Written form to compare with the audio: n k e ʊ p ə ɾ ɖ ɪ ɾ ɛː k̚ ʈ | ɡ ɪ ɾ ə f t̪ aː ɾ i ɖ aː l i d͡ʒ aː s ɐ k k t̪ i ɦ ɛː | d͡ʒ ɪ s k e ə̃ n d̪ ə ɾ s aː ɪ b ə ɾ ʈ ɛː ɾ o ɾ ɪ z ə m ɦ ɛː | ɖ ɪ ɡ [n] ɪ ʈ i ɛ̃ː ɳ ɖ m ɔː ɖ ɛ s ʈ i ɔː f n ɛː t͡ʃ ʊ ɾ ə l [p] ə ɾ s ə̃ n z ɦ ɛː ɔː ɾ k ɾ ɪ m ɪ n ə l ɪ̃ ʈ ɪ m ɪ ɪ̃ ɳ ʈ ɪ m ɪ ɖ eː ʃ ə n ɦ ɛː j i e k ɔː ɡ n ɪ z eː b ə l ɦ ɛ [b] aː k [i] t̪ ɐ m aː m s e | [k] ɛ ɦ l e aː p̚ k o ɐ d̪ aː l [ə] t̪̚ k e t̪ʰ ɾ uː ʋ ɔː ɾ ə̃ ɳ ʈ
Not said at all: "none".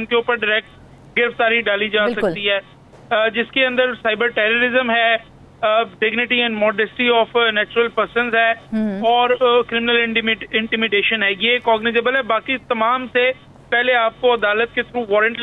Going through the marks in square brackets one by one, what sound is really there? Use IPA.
n, p, b, i, p, ə

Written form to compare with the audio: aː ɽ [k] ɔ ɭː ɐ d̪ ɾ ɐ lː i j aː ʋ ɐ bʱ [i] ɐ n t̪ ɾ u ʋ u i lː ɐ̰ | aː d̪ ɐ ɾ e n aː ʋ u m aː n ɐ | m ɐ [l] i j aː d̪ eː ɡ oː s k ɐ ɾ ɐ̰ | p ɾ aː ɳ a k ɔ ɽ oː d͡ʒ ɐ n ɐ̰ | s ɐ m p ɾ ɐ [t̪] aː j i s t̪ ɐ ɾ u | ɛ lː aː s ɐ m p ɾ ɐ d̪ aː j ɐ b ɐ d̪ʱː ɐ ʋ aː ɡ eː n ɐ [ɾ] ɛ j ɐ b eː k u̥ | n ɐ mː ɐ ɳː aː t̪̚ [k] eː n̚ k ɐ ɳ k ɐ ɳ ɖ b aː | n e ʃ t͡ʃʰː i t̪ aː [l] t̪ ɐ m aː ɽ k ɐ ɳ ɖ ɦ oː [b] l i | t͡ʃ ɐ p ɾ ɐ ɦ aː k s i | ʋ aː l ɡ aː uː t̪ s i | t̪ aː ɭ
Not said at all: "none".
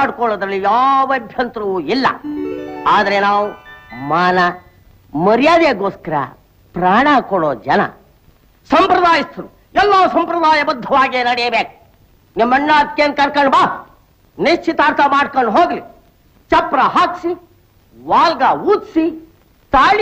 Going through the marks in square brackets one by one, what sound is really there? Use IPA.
k, j, ɾ, d̪, ɽ, k, ɾ, ɡ

